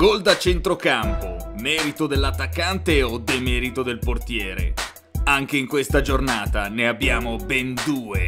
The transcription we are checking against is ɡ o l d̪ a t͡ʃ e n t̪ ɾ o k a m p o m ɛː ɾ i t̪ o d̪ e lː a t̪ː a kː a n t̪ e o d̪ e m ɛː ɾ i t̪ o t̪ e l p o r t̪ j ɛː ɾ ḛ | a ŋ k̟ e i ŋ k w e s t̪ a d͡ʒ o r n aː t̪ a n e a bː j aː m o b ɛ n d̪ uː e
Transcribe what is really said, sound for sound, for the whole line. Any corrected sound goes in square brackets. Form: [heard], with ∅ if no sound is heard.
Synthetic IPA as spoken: ɡ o l d̪ a t͡ʃ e n t̪ ɾ o k a m p o m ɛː ɾ i t̪ o d̪ e lː a t̪ː a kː a n t̪ e o d̪ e m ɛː ɾ i t̪ o [d̪] e l p o r t̪ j ɛː ɾ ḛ | a ŋ k̟ e i ŋ k w e s t̪ a d͡ʒ o r n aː t̪ a n e a bː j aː m o b ɛ n d̪ uː e